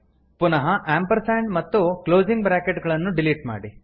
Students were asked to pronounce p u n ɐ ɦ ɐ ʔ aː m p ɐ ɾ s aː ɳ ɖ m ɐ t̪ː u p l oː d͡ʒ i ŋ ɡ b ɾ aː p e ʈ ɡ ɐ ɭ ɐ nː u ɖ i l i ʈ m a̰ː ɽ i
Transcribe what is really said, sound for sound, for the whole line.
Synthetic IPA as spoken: p u n ɐ ɦ ɐ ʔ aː m p ɐ ɾ s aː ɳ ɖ m ɐ t̪ː u k l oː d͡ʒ i ŋ ɡ b ɾ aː k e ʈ ɡ ɐ ɭ ɐ nː u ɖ i l i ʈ m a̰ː ɽ i